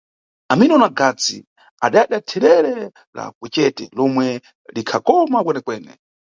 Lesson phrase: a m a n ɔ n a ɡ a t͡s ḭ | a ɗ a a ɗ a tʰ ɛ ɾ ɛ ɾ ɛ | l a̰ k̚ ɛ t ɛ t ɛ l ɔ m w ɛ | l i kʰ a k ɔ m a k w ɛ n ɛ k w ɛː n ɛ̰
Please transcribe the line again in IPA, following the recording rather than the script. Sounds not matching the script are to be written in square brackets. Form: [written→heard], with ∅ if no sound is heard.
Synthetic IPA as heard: a m [a→i] n ɔ n a ɡ a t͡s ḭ | a ɗ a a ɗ a tʰ ɛ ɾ ɛ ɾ ɛ | l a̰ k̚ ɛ [t→t͡ʃ] ɛ t ɛ l ɔ m w ɛ | l i kʰ a k ɔ m a k w ɛ n ɛ k w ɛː n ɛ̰